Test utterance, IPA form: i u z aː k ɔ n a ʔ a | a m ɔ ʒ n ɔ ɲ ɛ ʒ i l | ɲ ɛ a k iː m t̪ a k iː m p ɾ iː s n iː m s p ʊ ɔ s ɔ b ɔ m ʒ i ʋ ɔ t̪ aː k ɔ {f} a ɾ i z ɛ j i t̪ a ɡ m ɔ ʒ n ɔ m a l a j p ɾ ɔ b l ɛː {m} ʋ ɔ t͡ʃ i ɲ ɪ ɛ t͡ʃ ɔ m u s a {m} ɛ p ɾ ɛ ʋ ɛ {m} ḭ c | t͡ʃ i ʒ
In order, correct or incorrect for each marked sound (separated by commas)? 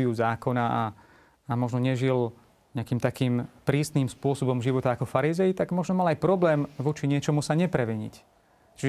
correct, correct, incorrect, incorrect